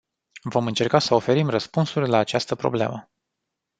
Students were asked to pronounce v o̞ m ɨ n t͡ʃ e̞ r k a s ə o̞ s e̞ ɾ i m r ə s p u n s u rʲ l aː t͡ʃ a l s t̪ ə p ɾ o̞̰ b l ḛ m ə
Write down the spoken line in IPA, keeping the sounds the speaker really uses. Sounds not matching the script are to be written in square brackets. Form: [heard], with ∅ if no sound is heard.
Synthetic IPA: v o̞ m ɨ n t͡ʃ e̞ r k a s ə o̞ [f] e̞ ɾ i m r ə s p u n s u rʲ l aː t͡ʃ a [∅] s t̪ ə p ɾ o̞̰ b l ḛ m ə